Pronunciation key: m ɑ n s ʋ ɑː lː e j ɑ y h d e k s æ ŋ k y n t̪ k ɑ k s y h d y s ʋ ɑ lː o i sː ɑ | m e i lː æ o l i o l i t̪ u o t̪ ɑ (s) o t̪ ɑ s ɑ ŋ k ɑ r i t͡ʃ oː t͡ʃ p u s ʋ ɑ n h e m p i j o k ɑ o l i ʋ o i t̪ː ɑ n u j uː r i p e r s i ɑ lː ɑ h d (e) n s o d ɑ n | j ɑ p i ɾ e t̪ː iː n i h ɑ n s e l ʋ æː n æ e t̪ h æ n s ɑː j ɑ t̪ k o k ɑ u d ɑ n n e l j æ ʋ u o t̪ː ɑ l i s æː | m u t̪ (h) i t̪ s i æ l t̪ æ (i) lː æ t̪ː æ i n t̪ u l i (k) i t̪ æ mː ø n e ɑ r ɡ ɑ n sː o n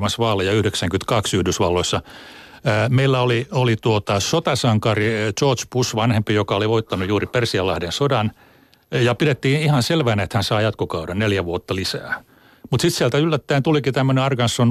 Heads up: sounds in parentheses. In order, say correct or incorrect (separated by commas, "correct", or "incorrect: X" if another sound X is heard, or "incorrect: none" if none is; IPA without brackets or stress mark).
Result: correct, correct, incorrect: s, incorrect: y, correct